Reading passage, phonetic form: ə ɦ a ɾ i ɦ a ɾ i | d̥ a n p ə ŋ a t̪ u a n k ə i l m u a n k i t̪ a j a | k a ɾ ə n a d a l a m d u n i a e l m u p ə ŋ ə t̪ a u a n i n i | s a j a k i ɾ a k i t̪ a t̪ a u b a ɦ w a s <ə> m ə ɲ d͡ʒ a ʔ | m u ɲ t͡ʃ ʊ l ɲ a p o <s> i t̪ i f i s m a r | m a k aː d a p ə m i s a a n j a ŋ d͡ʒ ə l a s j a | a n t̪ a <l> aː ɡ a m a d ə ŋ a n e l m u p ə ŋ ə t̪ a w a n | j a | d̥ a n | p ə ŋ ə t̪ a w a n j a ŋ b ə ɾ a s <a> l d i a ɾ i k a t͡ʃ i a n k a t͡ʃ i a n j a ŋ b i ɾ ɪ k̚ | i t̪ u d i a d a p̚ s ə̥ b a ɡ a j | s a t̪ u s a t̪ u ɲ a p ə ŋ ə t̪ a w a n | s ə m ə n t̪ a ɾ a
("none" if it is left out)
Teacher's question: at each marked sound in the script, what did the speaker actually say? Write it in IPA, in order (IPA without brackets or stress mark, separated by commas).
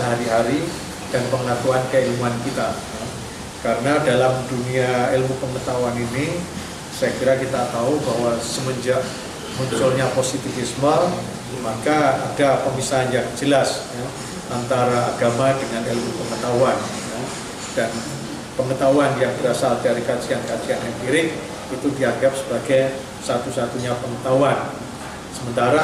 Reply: ə, s, ɾ, a